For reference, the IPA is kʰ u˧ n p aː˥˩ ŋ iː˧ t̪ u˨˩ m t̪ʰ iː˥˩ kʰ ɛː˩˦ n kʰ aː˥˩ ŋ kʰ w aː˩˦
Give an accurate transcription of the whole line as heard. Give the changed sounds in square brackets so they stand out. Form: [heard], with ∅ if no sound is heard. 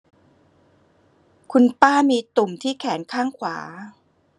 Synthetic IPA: kʰ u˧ n p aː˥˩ [m] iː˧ t̪ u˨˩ m t̪ʰ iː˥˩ kʰ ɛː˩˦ n kʰ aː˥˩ ŋ kʰ w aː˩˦